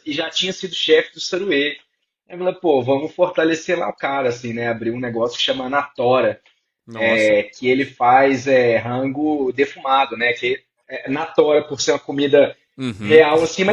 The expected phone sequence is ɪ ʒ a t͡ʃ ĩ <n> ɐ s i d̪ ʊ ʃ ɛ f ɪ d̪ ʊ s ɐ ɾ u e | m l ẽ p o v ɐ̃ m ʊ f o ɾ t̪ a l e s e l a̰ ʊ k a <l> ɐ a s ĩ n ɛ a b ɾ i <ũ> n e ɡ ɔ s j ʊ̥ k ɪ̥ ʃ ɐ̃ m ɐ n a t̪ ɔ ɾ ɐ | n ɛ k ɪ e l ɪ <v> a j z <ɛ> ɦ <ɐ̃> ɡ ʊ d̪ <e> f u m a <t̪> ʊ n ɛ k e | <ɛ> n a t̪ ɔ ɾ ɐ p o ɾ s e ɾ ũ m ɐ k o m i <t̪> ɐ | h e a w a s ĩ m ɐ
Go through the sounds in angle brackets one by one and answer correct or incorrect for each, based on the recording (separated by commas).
incorrect, incorrect, correct, incorrect, correct, correct, correct, incorrect, correct, incorrect